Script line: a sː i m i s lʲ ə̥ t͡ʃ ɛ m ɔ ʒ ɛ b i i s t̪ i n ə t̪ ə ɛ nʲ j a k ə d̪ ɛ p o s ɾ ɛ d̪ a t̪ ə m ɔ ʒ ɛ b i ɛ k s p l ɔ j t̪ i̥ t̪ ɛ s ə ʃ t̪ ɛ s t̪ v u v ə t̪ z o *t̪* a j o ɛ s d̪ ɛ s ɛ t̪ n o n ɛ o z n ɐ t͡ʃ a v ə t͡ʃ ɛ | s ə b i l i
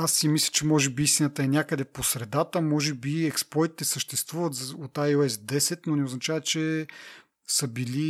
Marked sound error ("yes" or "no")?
no